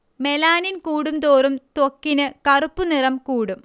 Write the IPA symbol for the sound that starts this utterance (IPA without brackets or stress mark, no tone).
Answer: m